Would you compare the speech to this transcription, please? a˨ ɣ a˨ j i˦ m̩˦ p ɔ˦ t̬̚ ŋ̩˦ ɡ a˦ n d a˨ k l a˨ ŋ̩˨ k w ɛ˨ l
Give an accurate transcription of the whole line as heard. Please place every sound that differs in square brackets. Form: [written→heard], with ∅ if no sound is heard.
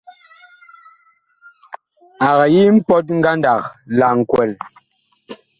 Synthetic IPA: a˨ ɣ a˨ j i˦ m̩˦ p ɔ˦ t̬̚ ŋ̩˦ ɡ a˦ n d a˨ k l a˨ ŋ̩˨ k w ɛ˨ l